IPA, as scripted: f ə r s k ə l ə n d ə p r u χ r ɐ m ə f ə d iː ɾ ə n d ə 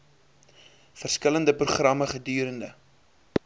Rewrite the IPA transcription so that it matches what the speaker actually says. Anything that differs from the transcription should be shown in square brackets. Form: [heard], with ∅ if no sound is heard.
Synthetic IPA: f ə r s k ə l ə n d ə p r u χ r ɐ m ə [χ] ə d [yː] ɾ ə n d ə